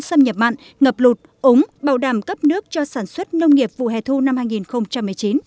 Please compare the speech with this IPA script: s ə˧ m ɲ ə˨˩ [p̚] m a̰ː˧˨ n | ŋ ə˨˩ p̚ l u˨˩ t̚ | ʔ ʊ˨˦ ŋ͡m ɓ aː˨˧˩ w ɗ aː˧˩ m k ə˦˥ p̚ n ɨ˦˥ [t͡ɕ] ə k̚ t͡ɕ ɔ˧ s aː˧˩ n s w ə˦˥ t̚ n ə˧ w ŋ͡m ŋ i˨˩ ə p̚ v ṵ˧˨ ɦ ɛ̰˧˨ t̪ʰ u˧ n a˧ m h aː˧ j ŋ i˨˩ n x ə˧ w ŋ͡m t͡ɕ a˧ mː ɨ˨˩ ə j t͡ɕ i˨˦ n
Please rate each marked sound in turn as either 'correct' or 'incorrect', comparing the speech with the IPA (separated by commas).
correct, incorrect